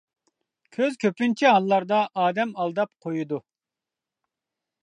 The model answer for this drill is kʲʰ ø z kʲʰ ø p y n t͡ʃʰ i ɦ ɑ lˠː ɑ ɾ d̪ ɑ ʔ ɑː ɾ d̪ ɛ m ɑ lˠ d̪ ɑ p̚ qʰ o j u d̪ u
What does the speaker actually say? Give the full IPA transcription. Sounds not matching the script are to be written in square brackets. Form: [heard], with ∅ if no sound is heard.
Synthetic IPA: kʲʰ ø z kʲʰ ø p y n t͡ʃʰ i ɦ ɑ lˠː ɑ ɾ d̪ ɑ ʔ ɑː [∅] d̪ ɛ m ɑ lˠ d̪ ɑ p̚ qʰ o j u d̪ u